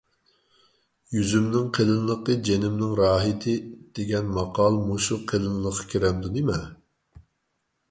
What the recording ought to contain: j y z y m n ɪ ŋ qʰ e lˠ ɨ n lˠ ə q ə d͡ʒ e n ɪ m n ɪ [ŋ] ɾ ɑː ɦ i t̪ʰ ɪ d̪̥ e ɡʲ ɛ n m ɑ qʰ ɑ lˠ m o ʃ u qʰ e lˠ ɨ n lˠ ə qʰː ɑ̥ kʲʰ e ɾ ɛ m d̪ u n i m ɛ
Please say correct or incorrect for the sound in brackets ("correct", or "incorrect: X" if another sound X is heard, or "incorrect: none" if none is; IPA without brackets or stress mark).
correct